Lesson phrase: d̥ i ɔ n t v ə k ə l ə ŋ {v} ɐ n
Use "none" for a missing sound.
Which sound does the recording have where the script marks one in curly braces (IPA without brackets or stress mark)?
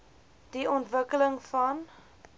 f